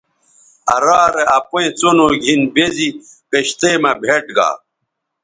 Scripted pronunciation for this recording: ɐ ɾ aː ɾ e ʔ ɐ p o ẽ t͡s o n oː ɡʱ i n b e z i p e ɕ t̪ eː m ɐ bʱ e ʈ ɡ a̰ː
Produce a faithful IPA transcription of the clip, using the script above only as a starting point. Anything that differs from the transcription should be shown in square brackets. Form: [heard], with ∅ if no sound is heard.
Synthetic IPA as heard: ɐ ɾ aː ɾ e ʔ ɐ p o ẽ t͡s o n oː ɡʱ i n b e z i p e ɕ t̪ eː m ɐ bʱ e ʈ ɡ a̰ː